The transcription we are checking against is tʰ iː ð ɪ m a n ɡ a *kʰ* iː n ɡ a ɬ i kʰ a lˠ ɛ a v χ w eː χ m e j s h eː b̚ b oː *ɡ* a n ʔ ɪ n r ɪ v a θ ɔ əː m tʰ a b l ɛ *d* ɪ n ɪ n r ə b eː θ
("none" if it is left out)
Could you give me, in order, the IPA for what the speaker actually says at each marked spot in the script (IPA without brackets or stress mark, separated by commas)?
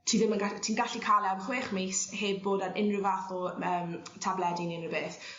tʰ, d, d